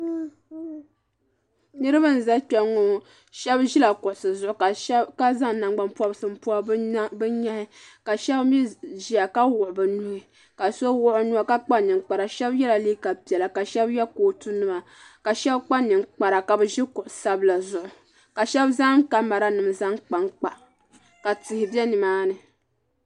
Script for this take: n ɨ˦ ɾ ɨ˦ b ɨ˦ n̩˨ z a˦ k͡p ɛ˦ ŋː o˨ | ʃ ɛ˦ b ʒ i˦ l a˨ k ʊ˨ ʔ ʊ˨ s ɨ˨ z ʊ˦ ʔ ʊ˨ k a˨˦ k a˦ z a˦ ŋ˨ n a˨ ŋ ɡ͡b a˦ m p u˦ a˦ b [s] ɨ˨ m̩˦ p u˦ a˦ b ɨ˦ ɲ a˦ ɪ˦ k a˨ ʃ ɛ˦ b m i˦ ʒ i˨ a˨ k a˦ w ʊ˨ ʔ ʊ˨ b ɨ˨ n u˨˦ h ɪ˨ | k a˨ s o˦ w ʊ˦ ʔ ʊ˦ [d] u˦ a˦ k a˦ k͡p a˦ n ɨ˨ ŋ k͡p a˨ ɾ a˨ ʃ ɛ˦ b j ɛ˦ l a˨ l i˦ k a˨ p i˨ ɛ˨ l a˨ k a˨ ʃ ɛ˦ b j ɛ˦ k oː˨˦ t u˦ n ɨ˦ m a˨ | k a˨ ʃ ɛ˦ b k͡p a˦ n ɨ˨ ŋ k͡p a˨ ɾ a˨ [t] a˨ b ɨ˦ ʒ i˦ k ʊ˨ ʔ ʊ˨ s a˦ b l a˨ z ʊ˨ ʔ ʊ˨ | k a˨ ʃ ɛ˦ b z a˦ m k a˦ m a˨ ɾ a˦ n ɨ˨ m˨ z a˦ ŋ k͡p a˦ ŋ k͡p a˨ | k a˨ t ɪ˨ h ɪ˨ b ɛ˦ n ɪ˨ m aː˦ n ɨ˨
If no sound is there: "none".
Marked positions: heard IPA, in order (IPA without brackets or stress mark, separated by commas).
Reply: s, n, k